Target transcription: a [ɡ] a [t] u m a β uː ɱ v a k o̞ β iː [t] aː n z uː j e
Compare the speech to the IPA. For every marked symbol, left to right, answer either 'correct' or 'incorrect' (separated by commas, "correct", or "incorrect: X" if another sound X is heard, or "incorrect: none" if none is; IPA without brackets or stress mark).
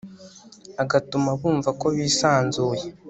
correct, correct, incorrect: s